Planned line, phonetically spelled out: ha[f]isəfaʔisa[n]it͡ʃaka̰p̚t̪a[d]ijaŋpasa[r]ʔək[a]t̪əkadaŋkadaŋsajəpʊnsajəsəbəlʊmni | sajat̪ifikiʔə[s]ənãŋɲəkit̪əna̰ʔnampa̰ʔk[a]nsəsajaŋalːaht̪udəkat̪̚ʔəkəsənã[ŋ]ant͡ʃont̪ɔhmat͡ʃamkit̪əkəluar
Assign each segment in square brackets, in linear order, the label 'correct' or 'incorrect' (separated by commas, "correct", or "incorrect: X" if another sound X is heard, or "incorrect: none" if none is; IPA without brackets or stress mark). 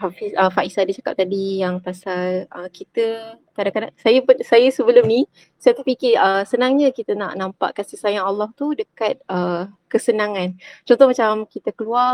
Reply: correct, incorrect: d, correct, incorrect: l, incorrect: i, correct, correct, correct